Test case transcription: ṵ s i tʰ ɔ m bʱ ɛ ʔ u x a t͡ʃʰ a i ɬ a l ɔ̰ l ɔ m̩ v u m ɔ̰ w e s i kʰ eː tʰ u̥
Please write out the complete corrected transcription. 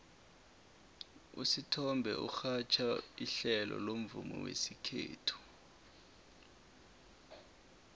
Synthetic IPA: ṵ s i tʰ ɔ m bʱ ɛ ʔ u x a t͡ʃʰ a i ɬ ɛ l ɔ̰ l o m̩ v u m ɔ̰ w e s i kʰ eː tʰ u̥